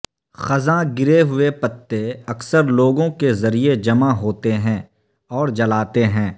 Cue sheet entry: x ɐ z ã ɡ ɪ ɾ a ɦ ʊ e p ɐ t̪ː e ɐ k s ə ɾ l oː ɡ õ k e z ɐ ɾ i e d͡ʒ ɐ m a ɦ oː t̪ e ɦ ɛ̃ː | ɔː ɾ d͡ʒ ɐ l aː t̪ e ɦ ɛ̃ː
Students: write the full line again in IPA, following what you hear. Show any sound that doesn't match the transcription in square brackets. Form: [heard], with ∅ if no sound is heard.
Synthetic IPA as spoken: x ɐ z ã ɡ ɪ ɾ [e] ɦ ʊ e p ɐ t̪ː e ɐ k s ə ɾ l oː ɡ õ k e z ɐ ɾ i e d͡ʒ ɐ m a ɦ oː t̪ e ɦ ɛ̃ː | ɔː ɾ d͡ʒ ɐ l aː t̪ e ɦ ɛ̃ː